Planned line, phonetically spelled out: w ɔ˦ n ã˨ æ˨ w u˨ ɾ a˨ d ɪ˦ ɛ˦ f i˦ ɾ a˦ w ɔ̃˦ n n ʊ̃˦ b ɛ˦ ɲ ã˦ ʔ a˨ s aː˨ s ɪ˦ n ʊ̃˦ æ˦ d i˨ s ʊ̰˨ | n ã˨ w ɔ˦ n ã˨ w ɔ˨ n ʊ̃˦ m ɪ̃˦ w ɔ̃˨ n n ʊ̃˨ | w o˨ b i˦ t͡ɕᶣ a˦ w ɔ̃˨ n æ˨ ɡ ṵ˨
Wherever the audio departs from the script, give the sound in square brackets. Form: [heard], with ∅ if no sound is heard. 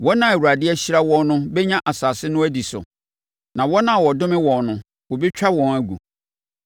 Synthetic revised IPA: w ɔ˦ n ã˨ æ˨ w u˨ ɾ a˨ d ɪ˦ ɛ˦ [ɕ] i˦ ɾ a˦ w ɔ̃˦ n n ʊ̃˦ b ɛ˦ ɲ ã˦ ʔ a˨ s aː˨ s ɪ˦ n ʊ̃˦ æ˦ d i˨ s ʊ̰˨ | n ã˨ w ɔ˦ n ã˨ w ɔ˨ [d] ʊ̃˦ m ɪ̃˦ w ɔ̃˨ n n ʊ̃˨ | w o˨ b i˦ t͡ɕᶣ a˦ w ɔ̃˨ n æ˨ ɡ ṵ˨